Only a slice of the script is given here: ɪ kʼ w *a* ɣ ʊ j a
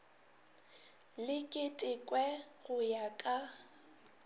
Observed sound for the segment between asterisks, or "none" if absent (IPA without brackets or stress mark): ɛ